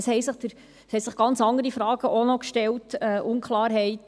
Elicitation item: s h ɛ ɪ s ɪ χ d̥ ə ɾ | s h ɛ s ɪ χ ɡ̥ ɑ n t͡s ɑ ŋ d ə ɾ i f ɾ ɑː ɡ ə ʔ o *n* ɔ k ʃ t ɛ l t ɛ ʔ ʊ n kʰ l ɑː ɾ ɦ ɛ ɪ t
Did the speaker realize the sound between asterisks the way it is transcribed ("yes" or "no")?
yes